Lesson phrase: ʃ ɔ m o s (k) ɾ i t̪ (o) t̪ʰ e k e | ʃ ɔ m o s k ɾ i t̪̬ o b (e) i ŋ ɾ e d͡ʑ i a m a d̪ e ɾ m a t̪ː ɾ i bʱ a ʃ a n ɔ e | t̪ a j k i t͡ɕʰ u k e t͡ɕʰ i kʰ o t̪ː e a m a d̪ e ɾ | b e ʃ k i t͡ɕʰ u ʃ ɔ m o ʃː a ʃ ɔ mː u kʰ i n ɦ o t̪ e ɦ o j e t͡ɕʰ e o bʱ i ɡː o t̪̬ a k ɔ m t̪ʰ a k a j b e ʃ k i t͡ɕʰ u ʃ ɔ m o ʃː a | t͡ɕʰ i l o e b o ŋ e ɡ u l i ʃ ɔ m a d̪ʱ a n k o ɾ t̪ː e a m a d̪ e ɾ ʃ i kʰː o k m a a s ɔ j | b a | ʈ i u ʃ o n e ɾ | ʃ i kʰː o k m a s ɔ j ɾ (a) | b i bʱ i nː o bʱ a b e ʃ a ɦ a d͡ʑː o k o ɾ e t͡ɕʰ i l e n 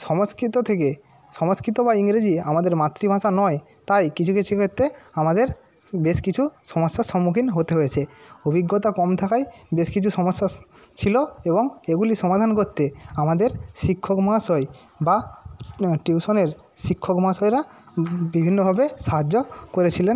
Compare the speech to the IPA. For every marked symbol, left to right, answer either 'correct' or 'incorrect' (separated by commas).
correct, correct, incorrect, correct